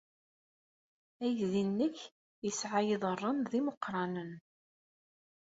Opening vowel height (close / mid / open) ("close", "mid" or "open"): open